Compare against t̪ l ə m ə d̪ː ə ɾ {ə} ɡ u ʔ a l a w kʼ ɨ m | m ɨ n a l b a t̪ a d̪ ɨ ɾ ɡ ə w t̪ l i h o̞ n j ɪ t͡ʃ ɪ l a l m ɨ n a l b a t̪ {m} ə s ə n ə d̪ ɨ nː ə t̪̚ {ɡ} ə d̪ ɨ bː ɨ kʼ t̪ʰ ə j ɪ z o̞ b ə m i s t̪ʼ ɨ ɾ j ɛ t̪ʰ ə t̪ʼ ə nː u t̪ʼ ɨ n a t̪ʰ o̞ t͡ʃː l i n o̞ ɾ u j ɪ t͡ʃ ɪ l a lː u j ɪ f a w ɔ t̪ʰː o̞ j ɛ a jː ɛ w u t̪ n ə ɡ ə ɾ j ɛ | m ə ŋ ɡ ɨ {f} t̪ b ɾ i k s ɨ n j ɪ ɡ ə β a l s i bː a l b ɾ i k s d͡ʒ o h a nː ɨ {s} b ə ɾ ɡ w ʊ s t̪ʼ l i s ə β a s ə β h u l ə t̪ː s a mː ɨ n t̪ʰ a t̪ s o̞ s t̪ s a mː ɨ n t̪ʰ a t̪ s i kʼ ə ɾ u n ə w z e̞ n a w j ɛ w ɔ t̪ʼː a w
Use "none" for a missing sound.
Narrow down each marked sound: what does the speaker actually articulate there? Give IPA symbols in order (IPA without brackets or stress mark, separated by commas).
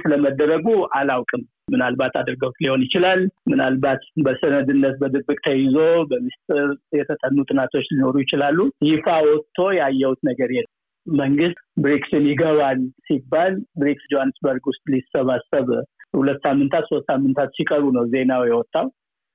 ə, b, b, s, s